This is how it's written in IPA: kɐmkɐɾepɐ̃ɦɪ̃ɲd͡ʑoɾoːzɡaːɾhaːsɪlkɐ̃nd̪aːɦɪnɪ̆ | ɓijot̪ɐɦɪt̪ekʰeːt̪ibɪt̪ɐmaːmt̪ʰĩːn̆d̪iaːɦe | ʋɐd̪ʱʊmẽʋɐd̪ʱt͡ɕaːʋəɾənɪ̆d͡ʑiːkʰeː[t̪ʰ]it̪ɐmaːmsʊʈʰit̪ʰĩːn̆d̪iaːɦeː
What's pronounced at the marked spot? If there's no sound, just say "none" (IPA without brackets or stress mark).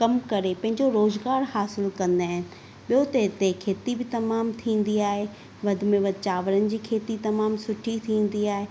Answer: t̪